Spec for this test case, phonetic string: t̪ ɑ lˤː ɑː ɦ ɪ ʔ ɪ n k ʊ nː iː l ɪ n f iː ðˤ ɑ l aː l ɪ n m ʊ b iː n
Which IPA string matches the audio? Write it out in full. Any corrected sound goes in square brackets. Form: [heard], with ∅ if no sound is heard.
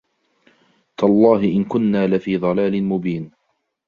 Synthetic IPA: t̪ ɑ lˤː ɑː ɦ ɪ ʔ ɪ n k ʊ nː [aː] l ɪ [∅] f iː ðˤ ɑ l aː l ɪ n m ʊ b iː n